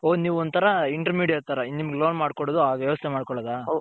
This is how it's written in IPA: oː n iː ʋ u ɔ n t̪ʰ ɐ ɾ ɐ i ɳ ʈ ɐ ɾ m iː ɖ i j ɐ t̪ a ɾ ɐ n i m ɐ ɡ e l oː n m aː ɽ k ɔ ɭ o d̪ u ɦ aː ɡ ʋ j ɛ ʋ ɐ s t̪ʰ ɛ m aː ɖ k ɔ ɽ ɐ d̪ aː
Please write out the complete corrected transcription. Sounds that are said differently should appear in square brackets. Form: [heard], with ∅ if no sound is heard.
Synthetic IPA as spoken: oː n iː ʋ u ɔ n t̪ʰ ɐ ɾ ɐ i ɳ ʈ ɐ ɾ m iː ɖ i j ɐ t̪ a ɾ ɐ n i m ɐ ɡ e l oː n m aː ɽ k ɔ [ɽ] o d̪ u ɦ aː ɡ ʋ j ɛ ʋ ɐ s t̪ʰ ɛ m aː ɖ k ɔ [ɭ] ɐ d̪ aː